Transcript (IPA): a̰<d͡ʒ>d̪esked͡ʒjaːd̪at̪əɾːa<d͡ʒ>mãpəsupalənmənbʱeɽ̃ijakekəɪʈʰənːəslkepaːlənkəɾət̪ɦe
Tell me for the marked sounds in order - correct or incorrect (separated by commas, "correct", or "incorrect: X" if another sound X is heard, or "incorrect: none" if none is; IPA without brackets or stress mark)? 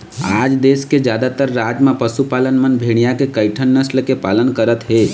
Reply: correct, correct